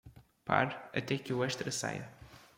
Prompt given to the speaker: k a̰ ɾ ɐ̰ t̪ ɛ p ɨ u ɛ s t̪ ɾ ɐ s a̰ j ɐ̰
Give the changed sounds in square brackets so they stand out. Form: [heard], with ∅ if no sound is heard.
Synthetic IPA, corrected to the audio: [p] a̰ ɾ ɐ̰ t̪ ɛ [k] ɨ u ɛ [ʃ] t̪ ɾ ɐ s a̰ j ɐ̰